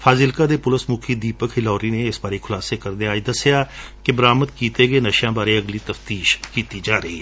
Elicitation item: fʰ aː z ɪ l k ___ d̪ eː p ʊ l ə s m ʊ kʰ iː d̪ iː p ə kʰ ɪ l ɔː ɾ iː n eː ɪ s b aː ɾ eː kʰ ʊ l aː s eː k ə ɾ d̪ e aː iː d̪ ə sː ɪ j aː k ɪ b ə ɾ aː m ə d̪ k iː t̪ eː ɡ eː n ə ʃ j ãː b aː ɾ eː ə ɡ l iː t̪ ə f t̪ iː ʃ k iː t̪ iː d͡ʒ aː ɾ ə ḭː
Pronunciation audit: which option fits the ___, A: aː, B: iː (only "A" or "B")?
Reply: A